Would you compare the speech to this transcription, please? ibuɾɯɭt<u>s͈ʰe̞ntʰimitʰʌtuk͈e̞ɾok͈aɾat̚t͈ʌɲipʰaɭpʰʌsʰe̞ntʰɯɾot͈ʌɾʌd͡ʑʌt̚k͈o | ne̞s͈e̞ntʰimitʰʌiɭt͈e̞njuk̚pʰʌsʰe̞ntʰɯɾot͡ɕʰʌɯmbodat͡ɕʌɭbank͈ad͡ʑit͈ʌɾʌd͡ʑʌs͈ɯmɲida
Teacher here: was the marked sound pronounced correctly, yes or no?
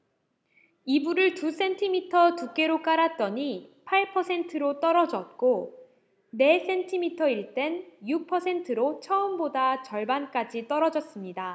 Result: yes